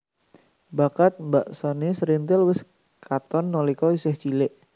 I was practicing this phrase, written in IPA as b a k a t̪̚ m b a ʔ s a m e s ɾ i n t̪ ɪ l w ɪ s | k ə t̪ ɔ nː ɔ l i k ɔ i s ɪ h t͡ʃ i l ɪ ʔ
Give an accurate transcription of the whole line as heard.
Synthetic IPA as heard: b a k a t̪̚ m b a ʔ s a n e s ɾ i n t̪ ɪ l w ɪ s | k a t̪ ɔ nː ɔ l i k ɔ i s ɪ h t͡ʃ i l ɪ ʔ